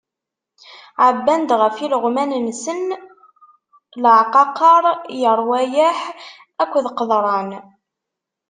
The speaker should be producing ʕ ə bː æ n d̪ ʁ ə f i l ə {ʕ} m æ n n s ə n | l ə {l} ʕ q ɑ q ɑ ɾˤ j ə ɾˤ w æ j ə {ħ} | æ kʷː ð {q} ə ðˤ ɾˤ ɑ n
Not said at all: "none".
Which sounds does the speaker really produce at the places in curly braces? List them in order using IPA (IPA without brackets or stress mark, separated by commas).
ʁ, none, ħ, q